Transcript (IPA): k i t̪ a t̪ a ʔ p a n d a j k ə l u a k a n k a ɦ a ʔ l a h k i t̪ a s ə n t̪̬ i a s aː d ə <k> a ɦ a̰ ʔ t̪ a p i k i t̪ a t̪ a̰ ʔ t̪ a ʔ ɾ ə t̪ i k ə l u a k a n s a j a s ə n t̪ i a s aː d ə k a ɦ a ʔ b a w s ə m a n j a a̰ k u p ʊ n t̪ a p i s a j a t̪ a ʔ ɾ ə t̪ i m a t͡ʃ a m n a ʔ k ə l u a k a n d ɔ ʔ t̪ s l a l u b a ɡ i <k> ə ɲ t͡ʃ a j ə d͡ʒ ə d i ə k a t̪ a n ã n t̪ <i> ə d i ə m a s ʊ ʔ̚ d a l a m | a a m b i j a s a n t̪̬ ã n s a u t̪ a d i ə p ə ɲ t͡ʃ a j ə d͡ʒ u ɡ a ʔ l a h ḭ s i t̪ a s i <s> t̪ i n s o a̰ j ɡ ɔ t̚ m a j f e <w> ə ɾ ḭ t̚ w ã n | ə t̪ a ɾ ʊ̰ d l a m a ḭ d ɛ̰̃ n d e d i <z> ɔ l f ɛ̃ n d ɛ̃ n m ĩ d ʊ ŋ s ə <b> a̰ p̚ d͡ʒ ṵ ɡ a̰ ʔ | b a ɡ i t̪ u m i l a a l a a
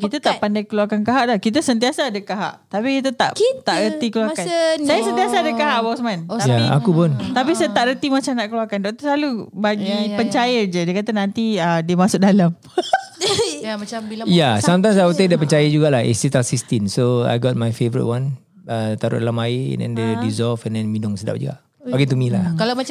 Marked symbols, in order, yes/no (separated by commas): yes, no, yes, yes, no, yes, no